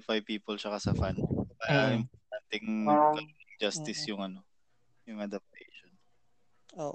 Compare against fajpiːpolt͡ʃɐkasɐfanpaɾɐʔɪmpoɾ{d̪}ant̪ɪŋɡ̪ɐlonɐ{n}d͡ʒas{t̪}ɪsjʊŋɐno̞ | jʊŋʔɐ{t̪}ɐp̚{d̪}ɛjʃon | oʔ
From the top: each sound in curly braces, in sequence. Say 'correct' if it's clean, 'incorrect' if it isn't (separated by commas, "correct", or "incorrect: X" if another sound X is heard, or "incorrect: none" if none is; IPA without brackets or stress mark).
incorrect: t̪, incorrect: ŋ, correct, incorrect: d̪, incorrect: t̪